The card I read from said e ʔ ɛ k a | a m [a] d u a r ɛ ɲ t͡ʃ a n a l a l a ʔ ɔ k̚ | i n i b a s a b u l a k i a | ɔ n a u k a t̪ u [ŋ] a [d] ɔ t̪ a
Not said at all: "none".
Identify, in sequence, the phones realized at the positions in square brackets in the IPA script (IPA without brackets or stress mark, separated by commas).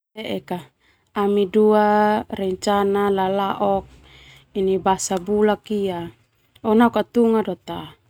i, ŋ, d